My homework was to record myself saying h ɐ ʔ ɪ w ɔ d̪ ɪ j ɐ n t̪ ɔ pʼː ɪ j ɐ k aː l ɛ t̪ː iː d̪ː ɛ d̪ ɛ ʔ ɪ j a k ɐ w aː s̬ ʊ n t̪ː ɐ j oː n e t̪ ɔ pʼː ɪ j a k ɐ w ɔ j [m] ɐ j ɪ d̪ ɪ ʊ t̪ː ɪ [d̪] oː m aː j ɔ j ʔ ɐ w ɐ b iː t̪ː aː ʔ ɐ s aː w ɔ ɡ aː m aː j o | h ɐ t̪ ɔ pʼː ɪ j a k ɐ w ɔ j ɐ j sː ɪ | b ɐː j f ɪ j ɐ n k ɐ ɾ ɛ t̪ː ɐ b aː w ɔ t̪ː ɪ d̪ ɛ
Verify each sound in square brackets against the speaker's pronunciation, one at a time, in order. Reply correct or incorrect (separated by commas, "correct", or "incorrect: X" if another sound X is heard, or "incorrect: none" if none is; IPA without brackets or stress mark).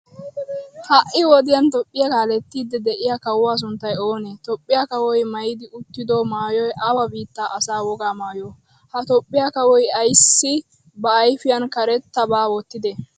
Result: correct, correct